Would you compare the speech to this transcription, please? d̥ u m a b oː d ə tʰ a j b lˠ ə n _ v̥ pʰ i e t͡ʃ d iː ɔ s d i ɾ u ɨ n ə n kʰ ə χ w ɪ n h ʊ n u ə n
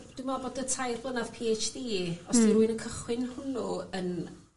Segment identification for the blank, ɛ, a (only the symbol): a